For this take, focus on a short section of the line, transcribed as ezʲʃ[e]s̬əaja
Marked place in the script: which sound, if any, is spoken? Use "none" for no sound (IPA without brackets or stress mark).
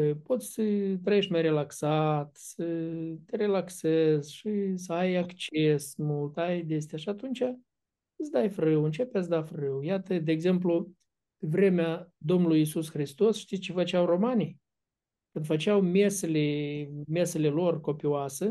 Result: i